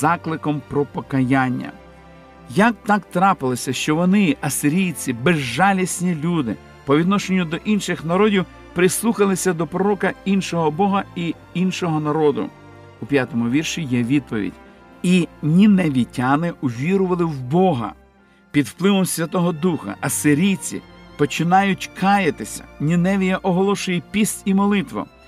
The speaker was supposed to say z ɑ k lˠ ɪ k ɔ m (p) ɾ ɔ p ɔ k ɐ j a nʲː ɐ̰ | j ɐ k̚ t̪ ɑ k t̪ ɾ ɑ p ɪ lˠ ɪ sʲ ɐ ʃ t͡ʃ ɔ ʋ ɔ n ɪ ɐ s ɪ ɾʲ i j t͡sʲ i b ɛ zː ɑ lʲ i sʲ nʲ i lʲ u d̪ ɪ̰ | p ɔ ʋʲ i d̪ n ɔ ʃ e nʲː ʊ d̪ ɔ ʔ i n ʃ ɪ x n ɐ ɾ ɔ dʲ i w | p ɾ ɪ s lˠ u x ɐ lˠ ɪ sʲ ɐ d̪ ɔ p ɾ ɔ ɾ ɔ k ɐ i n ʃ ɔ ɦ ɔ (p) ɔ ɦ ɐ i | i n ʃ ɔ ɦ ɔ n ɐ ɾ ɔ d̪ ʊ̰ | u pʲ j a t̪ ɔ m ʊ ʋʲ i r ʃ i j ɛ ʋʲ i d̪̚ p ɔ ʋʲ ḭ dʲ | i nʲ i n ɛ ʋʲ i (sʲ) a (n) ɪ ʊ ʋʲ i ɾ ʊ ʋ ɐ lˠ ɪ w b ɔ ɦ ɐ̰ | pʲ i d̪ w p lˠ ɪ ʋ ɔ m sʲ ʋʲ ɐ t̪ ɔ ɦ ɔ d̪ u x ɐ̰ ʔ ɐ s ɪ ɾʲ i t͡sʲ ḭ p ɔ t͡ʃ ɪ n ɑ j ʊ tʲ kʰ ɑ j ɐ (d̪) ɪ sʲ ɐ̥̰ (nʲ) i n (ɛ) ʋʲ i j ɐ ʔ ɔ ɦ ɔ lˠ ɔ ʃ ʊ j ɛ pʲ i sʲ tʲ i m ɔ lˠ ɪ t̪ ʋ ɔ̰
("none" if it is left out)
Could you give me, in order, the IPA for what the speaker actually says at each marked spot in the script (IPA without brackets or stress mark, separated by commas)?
p, b, tʲ, n, t̪, nʲ, ɛ